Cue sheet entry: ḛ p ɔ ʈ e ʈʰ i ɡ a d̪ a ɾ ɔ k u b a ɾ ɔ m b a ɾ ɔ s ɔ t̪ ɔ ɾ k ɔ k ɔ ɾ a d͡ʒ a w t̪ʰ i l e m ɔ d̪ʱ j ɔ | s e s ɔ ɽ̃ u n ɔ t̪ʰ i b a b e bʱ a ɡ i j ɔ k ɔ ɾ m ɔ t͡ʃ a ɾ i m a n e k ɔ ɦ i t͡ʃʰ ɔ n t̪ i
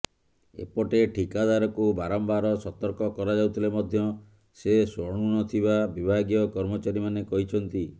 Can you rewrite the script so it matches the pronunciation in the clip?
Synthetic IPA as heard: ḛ p ɔ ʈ e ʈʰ i k a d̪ a ɾ ɔ k u b a ɾ ɔ m b a ɾ ɔ s ɔ t̪ ɔ ɾ k ɔ k ɔ ɾ a d͡ʒ a w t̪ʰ i l e m ɔ d̪ʱ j ɔ | s e s ɔ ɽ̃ u n ɔ t̪ʰ i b a b i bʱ a ɡ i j ɔ k ɔ ɾ m ɔ t͡ʃ a ɾ i m a n e k ɔ ɦ i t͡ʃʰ ɔ n t̪ i